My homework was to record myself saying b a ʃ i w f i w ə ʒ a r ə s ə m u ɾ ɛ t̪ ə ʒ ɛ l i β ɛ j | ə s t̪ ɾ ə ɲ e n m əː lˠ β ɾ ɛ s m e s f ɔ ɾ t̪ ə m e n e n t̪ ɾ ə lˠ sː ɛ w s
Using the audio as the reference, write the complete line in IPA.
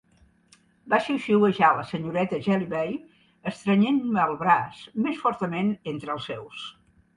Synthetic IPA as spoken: b a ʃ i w ʃ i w ə ʒ a l ə s ə ɲ u ɾ ɛ t̪ ə ʒ ɛ l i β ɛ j | ə s t̪ ɾ ə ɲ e n m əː lˠ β ɾ a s m e s f ɔ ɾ t̪ ə m e n e n t̪ ɾ ə lˠ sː ɛ w s